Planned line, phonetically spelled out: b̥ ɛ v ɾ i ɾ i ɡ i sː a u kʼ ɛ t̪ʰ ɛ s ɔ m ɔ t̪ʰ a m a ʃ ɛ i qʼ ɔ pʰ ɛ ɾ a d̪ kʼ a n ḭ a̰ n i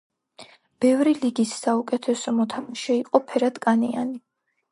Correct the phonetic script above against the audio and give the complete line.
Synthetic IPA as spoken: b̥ ɛ v ɾ i l i ɡ i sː a u kʼ ɛ t̪ʰ ɛ s ɔ m ɔ t̪ʰ a m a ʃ ɛ i qʼ ɔ pʰ ɛ ɾ a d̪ kʼ a n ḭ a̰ n i